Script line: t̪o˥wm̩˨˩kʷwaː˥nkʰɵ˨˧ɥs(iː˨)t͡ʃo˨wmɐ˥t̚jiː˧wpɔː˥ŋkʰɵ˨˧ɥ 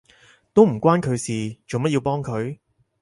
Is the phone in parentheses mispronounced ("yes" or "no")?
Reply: no